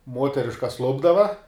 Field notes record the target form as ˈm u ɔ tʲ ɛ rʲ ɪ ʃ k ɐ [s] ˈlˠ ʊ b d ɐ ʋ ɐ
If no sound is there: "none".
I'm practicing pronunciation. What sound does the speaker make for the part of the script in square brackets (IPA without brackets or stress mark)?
s